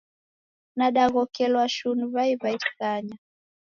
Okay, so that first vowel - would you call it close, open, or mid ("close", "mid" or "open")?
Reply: open